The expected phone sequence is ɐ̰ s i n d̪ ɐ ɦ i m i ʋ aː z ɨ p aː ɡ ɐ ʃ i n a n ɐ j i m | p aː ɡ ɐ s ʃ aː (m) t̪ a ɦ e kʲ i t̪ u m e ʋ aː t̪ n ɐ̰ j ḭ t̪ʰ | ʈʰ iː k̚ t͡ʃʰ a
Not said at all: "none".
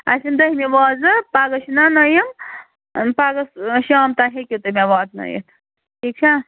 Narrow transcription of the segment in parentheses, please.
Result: m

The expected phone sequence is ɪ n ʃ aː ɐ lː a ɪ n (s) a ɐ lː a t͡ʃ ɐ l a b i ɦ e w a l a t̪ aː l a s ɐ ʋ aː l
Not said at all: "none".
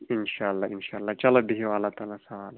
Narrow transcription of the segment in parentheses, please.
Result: ʃ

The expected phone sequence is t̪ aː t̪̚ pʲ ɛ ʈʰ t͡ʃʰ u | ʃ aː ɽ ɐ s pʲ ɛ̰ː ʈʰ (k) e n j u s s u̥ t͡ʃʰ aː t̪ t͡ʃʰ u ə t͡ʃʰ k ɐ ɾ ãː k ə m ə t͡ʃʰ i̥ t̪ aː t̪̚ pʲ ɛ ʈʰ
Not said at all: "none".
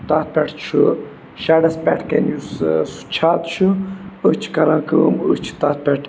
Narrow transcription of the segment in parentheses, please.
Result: k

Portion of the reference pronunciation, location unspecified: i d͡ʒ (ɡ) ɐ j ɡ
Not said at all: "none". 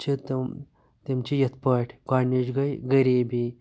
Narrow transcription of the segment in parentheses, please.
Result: ɡ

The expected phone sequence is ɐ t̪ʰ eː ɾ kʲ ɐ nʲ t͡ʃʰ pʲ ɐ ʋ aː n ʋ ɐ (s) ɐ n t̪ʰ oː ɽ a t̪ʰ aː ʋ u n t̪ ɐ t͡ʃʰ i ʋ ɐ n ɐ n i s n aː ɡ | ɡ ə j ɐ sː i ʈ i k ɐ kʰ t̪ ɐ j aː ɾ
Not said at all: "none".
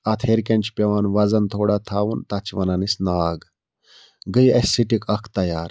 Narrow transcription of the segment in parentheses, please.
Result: z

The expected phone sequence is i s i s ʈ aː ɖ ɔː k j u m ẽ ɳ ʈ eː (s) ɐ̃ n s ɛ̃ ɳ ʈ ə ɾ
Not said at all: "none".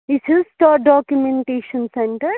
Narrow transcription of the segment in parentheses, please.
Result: ʃ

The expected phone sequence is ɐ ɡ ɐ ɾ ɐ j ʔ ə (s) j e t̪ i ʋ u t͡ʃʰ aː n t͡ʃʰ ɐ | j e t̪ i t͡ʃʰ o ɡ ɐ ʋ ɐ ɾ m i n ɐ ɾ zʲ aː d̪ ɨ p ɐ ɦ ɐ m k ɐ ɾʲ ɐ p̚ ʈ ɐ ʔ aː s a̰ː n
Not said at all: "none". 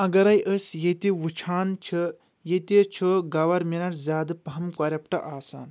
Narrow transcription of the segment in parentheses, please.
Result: s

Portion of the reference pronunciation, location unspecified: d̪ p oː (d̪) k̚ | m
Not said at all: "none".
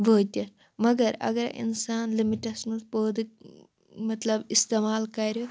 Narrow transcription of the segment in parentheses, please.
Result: d̪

